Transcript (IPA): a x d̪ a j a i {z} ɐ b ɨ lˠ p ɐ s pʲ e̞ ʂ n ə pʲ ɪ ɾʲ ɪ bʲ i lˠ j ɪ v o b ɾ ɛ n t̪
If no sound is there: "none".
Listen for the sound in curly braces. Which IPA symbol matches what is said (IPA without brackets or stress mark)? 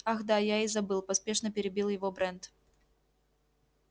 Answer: z